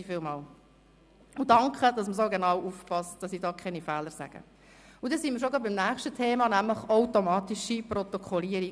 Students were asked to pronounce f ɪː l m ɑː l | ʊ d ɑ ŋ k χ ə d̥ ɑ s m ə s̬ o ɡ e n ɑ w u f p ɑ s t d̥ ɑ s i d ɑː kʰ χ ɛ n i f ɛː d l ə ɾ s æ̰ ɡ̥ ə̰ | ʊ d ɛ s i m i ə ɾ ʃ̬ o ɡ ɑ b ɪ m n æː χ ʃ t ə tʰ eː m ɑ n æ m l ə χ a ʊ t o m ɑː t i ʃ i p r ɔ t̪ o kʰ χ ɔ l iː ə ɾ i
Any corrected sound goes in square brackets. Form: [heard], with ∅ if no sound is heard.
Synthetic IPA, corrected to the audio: f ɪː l m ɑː l | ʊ d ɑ ŋ k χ ə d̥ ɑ s m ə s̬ o ɡ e n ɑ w u f p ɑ s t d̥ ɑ s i d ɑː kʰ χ ɛ n i f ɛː [∅] l ə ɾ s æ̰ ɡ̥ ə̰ | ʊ d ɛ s i m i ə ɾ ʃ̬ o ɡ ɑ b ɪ m n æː χ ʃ t ə tʰ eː m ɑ n æ m l ə χ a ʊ t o m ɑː t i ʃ i p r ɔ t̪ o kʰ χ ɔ l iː ə ɾ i